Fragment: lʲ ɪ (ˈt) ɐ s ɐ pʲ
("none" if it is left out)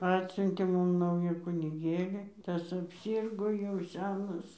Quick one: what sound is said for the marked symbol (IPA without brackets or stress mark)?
t